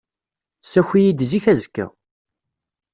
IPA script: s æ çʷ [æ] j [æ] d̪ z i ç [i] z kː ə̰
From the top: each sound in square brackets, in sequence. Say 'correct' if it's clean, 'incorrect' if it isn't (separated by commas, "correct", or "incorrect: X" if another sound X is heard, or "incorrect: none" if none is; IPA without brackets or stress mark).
incorrect: i, incorrect: i, incorrect: æ